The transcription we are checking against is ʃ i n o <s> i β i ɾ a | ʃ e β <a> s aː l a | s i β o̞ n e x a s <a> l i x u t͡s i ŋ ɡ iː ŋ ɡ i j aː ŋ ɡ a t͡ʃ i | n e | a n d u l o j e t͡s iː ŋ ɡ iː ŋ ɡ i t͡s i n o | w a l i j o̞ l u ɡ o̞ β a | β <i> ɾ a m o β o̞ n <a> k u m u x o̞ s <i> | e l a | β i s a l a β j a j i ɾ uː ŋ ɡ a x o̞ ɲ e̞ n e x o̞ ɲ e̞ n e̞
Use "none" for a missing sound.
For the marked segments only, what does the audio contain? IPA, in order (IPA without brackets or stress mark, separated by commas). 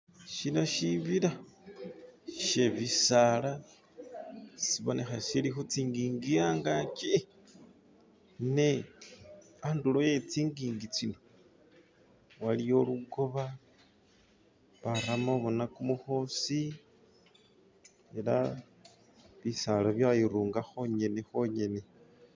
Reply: ʃ, i, i, a, a, i